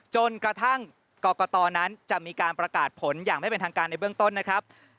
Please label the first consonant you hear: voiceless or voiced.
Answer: voiceless